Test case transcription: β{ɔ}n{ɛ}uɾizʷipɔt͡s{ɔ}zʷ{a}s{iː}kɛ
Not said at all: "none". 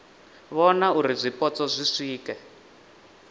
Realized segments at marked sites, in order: ɔ, a, ɔ, i, iː

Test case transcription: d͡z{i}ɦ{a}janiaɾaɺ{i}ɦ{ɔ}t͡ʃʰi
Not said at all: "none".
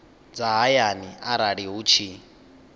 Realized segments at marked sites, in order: a, a, i, u

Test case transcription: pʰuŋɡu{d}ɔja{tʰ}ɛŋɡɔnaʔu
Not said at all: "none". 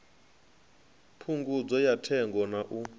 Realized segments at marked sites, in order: d͡z, tʰ

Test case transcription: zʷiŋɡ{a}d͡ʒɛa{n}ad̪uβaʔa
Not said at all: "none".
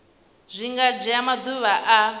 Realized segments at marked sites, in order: a, m

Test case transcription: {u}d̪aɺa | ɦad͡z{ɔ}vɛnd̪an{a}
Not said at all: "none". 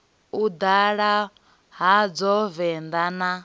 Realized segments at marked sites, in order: u, ɔ, a

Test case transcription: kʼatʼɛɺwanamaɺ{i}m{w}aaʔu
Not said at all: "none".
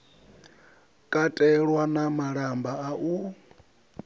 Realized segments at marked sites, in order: a, b

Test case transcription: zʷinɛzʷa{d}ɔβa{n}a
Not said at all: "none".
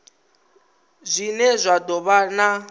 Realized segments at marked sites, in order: d, n

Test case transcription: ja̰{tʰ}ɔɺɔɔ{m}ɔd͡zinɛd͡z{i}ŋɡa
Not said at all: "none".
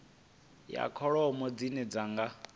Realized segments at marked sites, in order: kʰ, m, a

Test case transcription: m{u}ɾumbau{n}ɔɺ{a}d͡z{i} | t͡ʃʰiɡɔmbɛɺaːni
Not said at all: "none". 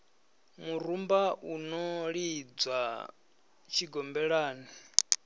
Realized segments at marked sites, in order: u, n, i, a

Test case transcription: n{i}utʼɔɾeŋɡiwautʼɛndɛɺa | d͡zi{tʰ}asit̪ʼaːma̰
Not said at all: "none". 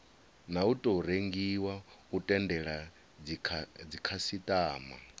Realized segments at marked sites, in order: a, kʰ

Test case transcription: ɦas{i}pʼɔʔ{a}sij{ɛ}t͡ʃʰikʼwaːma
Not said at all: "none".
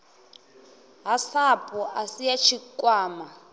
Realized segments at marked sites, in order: a, a, a

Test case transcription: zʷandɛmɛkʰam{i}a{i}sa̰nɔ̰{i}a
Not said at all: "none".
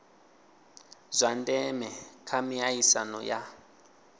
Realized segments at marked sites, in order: i, i, j

